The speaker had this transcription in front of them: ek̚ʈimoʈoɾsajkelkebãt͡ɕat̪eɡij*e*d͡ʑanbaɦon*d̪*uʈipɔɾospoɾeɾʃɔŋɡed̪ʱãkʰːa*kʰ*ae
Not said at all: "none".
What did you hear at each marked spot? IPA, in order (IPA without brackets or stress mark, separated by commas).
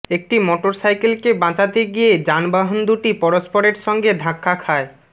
e, d̪, kʰ